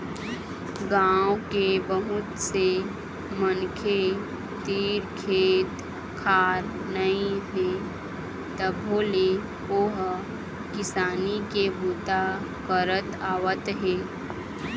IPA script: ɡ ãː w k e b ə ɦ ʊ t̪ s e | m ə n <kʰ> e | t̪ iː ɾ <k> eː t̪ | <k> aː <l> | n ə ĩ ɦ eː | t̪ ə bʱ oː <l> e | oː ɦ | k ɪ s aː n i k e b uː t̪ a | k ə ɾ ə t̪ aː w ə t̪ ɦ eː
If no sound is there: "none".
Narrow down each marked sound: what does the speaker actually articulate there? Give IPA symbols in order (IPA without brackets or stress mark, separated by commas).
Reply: kʰ, kʰ, kʰ, ɾ, l